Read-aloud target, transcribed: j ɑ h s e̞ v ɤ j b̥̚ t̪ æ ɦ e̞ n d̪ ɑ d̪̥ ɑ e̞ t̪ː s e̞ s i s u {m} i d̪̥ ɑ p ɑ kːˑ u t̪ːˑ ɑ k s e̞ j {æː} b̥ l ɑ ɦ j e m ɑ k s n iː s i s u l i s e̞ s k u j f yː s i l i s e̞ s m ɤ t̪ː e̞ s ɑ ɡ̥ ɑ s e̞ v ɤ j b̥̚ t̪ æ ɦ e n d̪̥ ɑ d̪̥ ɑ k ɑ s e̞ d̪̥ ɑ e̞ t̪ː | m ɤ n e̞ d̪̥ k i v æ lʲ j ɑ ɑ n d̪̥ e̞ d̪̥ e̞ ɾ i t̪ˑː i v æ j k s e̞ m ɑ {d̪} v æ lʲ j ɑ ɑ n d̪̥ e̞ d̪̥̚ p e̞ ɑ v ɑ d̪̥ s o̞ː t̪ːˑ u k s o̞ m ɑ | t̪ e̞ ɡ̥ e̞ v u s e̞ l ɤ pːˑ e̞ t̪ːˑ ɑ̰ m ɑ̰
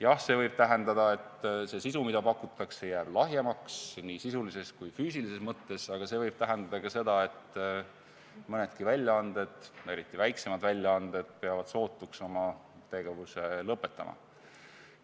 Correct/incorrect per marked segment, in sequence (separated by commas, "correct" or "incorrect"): correct, correct, correct